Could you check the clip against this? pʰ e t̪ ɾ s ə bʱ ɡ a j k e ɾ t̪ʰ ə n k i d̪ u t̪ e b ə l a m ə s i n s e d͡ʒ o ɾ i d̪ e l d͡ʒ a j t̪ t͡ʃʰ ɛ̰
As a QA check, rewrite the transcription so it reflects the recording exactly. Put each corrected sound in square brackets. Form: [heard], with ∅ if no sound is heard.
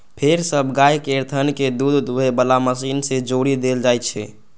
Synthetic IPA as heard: pʰ e [∅] ɾ s ə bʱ ɡ a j k e ɾ t̪ʰ ə n k [e] d̪ u [d̪] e b ə l a m ə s i n s e d͡ʒ o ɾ i d̪ e l d͡ʒ a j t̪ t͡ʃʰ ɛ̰